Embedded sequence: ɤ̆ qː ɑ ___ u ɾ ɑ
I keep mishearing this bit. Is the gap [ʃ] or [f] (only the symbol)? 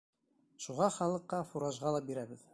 f